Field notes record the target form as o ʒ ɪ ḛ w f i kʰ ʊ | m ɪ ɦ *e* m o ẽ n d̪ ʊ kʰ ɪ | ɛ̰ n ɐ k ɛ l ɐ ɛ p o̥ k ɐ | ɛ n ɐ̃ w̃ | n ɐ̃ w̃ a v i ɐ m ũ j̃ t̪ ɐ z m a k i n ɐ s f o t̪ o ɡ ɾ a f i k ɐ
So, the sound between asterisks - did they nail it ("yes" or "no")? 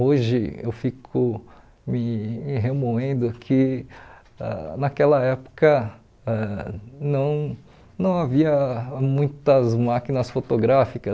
yes